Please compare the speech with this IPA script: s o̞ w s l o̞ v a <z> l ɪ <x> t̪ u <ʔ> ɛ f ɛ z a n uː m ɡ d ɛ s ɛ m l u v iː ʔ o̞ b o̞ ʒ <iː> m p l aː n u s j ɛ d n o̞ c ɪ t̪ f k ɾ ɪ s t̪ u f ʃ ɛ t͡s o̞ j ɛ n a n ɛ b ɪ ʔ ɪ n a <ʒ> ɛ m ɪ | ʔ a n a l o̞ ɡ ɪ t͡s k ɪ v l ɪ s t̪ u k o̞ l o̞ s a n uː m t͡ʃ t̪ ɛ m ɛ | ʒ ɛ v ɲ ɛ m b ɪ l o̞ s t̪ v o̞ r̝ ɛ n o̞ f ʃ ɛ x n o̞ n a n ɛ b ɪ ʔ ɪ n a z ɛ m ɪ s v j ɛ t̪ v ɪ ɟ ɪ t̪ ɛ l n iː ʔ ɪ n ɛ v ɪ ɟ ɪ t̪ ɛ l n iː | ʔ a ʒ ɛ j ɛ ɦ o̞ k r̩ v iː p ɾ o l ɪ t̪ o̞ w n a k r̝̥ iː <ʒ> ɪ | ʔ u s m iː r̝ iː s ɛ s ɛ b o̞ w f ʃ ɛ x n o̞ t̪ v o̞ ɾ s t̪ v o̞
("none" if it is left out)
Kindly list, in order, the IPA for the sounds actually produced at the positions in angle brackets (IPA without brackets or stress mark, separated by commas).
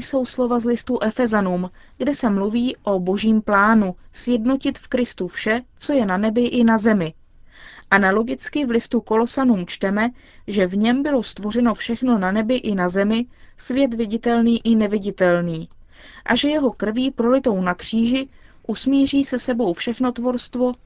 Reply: z, s, ʔ, iː, z, ʒ